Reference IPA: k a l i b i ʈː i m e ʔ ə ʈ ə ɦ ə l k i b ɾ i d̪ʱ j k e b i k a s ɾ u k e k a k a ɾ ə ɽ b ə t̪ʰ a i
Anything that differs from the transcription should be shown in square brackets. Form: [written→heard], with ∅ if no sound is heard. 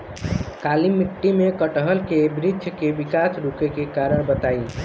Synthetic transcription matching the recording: k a l i [b→m] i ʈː i m e [ʔ→k] ə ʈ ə ɦ ə l k [i→e] b ɾ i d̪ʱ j k e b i k a s ɾ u k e k [a→e] k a ɾ ə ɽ b ə [t̪ʰ→t̪] a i

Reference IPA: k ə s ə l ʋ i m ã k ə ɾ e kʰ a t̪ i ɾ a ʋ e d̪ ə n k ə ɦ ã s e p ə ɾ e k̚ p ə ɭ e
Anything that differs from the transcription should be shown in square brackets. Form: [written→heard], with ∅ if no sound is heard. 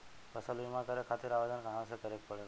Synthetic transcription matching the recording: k ə s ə l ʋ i m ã k ə ɾ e kʰ a t̪ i ɾ a ʋ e d̪ ə n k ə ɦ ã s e [p→k] ə ɾ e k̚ p ə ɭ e

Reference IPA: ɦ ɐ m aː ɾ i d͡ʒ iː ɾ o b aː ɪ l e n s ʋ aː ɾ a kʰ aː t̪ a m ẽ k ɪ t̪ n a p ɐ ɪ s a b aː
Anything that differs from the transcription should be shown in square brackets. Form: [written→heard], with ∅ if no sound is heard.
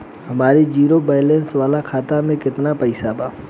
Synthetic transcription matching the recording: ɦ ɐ m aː ɾ i d͡ʒ iː ɾ o b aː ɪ l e n s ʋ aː [ɾ→l] a kʰ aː t̪ a m ẽ k ɪ t̪ n a p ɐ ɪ s a b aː

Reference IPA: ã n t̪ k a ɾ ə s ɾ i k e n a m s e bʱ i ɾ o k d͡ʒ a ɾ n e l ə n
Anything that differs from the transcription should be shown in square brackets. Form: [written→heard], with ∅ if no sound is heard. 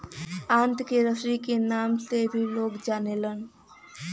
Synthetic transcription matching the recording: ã n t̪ k [a→e] ɾ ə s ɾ i k e n a m s e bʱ i [ɾ→l] o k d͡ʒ a [ɾ→∅] n e l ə n

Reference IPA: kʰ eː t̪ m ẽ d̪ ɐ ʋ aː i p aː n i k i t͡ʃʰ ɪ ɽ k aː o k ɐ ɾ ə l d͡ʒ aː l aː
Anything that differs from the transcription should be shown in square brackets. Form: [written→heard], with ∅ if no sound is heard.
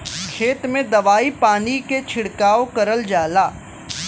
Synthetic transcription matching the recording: kʰ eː t̪ m ẽ d̪ ɐ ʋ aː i p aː n i k [i→e] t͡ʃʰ ɪ ɽ k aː o k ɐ ɾ ə l d͡ʒ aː l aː

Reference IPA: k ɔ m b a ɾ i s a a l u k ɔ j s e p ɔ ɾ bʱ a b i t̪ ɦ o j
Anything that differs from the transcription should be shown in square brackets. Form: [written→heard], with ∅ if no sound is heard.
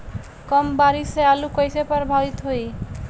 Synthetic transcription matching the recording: k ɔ m b a ɾ i s [a→e] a l u k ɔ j s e p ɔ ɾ bʱ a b i t̪ ɦ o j

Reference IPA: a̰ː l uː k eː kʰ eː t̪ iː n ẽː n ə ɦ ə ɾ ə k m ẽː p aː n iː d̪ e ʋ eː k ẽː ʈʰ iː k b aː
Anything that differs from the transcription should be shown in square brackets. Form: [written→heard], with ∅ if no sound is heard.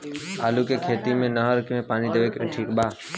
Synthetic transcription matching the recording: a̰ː l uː k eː kʰ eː t̪ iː [n→m] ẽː n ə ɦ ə ɾ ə k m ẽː p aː n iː d̪ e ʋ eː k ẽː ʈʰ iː k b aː

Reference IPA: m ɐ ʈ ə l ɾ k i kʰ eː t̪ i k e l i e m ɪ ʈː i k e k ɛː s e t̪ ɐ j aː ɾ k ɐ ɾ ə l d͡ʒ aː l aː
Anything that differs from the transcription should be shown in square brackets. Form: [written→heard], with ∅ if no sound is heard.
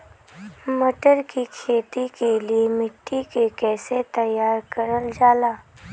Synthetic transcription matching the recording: m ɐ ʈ ə [l→∅] ɾ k i kʰ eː t̪ i k e l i e m ɪ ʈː i k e k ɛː s e t̪ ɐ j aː ɾ k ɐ ɾ ə l d͡ʒ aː l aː

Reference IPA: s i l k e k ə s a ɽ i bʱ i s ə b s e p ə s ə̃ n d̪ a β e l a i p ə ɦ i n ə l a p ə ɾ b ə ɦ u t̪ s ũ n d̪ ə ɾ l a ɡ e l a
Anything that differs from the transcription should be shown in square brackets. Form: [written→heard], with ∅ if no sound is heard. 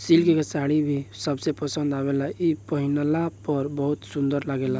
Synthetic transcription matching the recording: s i l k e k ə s a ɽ i bʱ i s ə b s e p ə s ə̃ n d̪ a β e l a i p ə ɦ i n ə l a p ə ɾ b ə ɦ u t̪ s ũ n d̪ ə ɾ l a ɡ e l a

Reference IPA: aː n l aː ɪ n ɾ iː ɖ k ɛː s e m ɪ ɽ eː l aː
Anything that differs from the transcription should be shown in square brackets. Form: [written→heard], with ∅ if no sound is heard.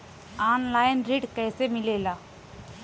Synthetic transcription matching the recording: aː n l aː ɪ n ɾ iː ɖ k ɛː s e m ɪ [ɽ→l] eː l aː

